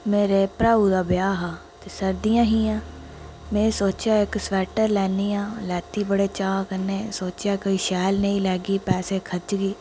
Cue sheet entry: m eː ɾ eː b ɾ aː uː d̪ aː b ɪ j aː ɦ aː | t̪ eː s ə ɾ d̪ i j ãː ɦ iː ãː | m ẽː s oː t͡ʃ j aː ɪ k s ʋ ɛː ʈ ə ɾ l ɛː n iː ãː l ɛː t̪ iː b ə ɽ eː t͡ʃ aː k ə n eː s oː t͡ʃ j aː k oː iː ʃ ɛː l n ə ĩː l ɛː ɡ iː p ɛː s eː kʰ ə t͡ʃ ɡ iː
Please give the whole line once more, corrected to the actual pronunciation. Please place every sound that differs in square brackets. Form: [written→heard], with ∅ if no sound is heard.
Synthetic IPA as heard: m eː ɾ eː [b→p] ɾ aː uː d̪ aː b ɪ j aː ɦ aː | t̪ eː s ə ɾ d̪ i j ãː ɦ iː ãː | m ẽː s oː t͡ʃ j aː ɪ k s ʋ ɛː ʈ ə ɾ l ɛː n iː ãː l ɛː t̪ iː b ə ɽ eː t͡ʃ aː k ə n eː s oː t͡ʃ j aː k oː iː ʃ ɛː l n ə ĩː l ɛː ɡ iː p ɛː s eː kʰ ə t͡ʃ ɡ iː